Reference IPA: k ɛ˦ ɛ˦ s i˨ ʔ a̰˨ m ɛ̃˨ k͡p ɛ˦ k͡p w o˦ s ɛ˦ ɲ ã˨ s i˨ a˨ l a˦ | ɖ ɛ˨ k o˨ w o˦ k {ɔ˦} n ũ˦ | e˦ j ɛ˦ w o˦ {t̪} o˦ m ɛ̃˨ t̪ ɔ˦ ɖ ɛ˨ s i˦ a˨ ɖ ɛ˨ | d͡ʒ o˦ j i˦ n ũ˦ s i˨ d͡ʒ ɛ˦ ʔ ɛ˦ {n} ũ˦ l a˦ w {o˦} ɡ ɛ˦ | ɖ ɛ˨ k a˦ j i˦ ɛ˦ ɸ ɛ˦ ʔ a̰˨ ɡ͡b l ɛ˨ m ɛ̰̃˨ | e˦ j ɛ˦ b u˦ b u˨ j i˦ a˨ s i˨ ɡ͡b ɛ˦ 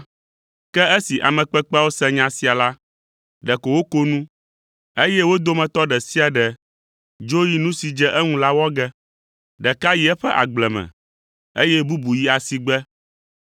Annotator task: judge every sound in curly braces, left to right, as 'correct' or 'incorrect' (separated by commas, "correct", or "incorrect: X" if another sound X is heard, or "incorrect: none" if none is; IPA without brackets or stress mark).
incorrect: o˦, incorrect: d̪, incorrect: ŋ, incorrect: ɔ˦